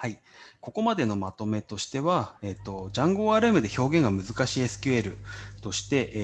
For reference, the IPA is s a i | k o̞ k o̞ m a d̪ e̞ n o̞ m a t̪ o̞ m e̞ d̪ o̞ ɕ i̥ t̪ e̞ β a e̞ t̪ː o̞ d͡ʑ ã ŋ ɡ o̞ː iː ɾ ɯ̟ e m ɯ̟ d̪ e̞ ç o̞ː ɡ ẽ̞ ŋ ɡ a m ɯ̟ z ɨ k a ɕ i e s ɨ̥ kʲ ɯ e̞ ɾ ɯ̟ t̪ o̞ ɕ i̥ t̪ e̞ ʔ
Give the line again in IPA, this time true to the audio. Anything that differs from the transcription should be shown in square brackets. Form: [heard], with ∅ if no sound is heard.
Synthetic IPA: [h] a i | k o̞ k o̞ m a d̪ e̞ n o̞ m a t̪ o̞ m e̞ [t̪] o̞ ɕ i̥ t̪ e̞ β a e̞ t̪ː o̞ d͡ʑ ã ŋ ɡ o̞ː [aː] ɾ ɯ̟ e m ɯ̟ d̪ e̞ ç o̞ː ɡ ẽ̞ ŋ ɡ a m ɯ̟ z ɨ k a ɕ i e s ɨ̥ kʲ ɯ e̞ ɾ ɯ̟ t̪ o̞ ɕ i̥ t̪ e̞ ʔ

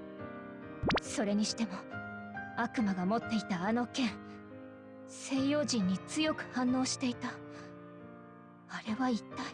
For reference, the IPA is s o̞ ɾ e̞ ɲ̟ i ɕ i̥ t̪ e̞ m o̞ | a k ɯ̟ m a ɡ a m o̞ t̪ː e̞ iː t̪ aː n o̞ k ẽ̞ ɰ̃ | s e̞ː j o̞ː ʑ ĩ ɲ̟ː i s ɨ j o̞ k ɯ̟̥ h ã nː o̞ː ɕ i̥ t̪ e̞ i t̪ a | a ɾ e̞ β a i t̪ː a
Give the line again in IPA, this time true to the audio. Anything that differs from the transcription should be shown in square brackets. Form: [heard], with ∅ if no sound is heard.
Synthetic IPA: s o̞ ɾ e̞ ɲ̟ i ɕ i̥ t̪ e̞ m o̞ | a k ɯ̟ m a ɡ a m o̞ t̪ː e̞ [i] t̪ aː n o̞ k ẽ̞ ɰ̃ | s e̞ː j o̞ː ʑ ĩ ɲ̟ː i [t͡s] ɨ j o̞ k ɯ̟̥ h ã nː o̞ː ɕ i̥ t̪ e̞ i t̪ a | a ɾ e̞ β a i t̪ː a

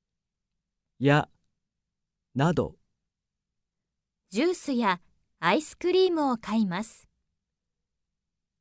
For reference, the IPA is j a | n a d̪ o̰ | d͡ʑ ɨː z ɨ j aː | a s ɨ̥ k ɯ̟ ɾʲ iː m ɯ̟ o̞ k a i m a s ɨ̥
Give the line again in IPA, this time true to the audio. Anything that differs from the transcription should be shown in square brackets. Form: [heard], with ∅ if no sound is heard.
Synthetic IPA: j a | n a d̪ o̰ | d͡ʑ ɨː [s] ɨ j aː | [i] s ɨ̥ k ɯ̟ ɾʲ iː m ɯ̟ o̞ k a i m a s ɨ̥

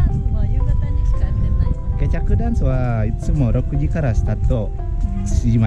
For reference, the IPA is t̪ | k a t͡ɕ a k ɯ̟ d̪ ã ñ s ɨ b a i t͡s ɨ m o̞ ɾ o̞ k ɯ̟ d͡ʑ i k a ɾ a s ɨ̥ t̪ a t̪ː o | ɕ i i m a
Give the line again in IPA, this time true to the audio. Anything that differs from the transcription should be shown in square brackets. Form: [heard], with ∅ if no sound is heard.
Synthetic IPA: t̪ | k [e] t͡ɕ a k ɯ̟ d̪ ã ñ s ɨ [β] a i t͡s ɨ m o̞ ɾ o̞ k ɯ̟ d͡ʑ i k a ɾ a s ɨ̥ t̪ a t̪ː o | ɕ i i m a

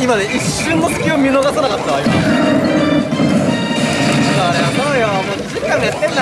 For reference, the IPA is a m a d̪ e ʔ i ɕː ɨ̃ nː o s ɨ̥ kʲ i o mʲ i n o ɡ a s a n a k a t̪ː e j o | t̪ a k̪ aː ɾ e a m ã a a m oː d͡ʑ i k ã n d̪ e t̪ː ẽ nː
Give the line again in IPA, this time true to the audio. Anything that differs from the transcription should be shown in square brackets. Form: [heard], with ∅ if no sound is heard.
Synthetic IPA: [i] m a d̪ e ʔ i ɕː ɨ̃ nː o s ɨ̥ kʲ i o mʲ i n o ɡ a s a n a k a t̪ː [a] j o | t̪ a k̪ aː ɾ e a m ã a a m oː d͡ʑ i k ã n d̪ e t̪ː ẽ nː

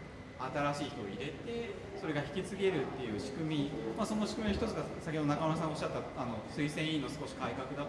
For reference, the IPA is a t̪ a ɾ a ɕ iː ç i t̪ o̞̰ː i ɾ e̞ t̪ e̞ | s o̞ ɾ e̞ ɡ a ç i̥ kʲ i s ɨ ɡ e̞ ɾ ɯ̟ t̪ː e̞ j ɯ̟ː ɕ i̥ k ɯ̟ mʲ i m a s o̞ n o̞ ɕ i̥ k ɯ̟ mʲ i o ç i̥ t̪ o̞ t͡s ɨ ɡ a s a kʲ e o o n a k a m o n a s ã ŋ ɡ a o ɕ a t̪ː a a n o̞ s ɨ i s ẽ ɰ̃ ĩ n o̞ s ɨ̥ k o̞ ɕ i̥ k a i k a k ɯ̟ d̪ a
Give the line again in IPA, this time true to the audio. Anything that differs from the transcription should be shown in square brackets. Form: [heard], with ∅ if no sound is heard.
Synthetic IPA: a t̪ a ɾ a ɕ iː ç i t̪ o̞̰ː i ɾ e̞ t̪ e̞ | s o̞ ɾ e̞ ɡ a ç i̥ kʲ i [t͡s] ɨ ɡ e̞ ɾ ɯ̟ t̪ː e̞ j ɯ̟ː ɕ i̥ k ɯ̟ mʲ i m a s o̞ n o̞ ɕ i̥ k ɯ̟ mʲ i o ç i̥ t̪ o̞ t͡s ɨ ɡ a s a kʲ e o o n a k a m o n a s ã ŋ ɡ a o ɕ a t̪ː a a n o̞ s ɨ i s ẽ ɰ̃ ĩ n o̞ s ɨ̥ k o̞ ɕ i̥ k a i k a k ɯ̟ d̪ a

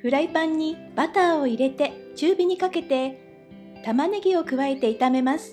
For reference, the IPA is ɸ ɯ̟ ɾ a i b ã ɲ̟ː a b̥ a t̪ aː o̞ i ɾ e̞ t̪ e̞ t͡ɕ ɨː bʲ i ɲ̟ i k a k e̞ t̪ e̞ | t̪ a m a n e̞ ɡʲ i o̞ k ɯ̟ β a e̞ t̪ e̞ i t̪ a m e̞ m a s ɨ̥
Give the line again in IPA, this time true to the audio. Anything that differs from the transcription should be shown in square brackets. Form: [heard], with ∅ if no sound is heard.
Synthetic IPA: ɸ ɯ̟ ɾ a i [p] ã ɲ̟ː [i] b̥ a t̪ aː o̞ i ɾ e̞ t̪ e̞ t͡ɕ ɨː bʲ i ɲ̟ i k a k e̞ t̪ e̞ | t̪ a m a n e̞ ɡʲ i o̞ k ɯ̟ β a e̞ t̪ e̞ i t̪ a m e̞ m a s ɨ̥

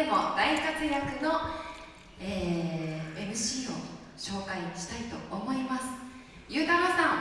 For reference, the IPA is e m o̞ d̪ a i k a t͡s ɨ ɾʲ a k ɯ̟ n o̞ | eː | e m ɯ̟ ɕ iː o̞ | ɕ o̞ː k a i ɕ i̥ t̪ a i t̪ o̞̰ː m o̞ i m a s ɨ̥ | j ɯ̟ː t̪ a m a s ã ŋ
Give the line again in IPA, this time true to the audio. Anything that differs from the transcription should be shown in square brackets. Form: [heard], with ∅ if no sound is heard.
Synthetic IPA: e m o̞ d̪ a i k a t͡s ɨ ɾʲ a k ɯ̟ n o̞ | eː | e m ɯ̟ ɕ iː o̞ | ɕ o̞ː k a i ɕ i̥ t̪ a i t̪ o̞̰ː m o̞ i m a s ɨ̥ | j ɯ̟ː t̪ a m a s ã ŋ

